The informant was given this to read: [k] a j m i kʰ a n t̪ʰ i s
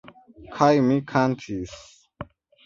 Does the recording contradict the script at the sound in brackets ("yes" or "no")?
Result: yes